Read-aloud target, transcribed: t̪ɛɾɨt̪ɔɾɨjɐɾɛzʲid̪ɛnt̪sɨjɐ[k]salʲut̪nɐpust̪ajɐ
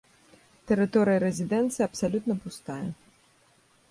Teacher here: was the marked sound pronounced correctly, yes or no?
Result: no